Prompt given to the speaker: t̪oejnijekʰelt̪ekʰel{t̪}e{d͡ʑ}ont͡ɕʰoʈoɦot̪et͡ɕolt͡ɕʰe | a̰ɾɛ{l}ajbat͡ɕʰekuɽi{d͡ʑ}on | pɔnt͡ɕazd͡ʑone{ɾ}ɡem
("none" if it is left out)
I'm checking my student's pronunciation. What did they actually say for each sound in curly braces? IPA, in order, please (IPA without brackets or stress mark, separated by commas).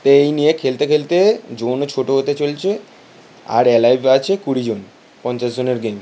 t̪, d͡ʑ, l, d͡ʑ, ɾ